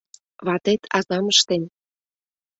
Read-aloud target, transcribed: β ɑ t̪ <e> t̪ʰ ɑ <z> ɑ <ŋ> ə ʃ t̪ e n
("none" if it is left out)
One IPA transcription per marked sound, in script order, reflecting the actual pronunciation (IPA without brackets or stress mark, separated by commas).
e, z, m